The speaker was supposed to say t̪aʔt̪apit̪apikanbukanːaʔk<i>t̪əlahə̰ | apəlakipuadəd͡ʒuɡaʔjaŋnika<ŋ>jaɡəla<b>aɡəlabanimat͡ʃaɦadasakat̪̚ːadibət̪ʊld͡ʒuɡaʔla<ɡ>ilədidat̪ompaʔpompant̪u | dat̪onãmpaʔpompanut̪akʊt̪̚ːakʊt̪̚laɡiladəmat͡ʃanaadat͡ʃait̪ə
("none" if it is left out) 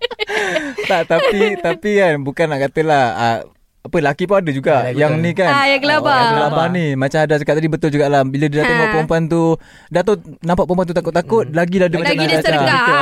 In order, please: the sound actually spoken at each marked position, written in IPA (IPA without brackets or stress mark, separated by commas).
a, n, b, b